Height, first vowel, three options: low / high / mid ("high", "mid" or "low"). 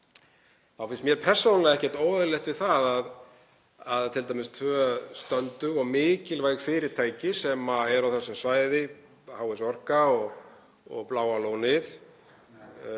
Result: low